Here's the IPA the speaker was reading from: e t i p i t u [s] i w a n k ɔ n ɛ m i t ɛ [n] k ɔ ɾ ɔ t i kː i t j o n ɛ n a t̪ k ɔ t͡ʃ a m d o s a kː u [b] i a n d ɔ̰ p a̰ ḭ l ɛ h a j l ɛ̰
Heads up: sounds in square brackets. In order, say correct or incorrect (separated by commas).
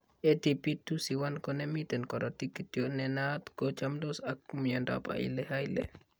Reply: correct, correct, incorrect